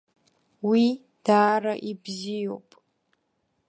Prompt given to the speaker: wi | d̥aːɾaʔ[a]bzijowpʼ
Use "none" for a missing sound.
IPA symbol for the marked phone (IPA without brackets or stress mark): i